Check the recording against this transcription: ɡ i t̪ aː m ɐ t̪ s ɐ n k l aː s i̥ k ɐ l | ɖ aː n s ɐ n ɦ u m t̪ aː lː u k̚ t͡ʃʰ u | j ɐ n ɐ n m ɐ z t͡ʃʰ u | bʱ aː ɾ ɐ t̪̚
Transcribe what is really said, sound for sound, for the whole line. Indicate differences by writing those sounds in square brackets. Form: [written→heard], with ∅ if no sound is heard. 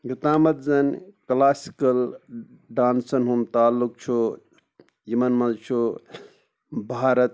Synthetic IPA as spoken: ɡ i t̪ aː m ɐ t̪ [s→z] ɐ n k l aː s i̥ k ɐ l | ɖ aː n s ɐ n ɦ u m t̪ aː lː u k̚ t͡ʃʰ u | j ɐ [n→m] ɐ n m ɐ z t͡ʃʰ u | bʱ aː ɾ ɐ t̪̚